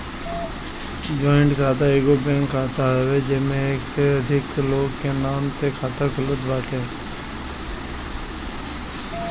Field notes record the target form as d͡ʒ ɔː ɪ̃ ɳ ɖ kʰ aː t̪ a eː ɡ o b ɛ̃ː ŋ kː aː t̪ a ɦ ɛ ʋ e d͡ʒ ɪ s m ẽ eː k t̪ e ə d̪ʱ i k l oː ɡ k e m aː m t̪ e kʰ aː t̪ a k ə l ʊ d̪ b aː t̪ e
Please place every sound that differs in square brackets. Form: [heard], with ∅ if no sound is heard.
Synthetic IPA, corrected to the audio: d͡ʒ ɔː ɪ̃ ɳ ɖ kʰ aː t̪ a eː ɡ o b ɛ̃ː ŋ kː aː t̪ a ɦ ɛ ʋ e d͡ʒ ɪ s m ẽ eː k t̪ e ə d̪ʱ [ɪ] k l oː ɡ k e [n] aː m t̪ e kʰ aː t̪ a k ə l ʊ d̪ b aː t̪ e